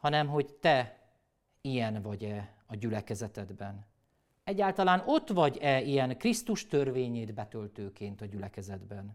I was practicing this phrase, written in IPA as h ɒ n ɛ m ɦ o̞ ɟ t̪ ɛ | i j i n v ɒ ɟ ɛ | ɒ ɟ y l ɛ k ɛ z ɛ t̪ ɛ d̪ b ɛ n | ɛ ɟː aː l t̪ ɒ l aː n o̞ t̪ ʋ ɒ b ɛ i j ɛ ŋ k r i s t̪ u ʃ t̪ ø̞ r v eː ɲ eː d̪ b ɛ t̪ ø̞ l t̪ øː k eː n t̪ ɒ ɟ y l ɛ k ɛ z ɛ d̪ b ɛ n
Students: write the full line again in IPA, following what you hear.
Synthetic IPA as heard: h ɒ n ɛ m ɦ o̞ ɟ t̪ ɛ | i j ɛ n v ɒ ɟ ɛ | ɒ ɟ y l ɛ k ɛ z ɛ t̪ ɛ d̪ b ɛ n | ɛ ɟː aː l t̪ ɒ l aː n o̞ t̪ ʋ ɒ ɟ ɛ i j ɛ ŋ k r i s t̪ u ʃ t̪ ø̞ r v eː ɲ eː d̪ b ɛ t̪ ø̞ l t̪ øː k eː n t̪ ɒ ɟ y l ɛ k ɛ z ɛ d̪ b ɛ n